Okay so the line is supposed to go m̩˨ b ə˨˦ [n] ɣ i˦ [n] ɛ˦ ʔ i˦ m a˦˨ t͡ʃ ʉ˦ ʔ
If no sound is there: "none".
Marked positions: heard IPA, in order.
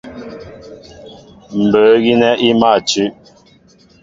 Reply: none, n

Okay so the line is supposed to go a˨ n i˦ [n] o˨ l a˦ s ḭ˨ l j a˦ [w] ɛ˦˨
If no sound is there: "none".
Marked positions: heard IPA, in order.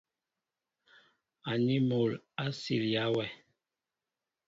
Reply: m, w

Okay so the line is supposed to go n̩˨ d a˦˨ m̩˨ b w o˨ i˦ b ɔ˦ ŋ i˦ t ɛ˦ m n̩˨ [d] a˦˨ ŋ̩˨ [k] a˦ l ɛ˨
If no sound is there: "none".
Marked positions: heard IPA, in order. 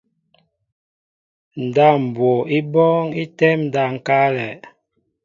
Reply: d, k

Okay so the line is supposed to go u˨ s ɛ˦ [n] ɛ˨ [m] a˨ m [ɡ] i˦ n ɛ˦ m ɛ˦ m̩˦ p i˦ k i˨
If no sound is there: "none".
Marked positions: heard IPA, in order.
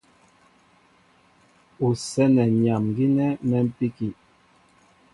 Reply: n, ɲ, ɡ

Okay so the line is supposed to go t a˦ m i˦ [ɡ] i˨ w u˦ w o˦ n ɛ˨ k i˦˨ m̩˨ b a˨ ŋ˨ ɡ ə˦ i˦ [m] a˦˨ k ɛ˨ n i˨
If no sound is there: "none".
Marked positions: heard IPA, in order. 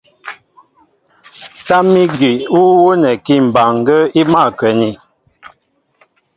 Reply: ɡ, m

